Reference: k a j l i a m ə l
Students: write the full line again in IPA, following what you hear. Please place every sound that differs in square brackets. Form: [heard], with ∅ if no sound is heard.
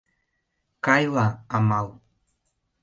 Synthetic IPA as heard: k a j l [a] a m [a] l

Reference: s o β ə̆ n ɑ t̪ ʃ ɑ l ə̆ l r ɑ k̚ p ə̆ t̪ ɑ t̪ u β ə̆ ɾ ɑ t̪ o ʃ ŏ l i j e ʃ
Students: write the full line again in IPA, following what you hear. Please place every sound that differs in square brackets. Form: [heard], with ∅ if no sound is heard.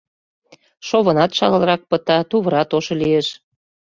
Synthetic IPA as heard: [ʃ] o β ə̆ n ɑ t̪ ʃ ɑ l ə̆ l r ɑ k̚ p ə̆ t̪ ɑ t̪ u β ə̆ ɾ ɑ t̪ o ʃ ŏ l i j e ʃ

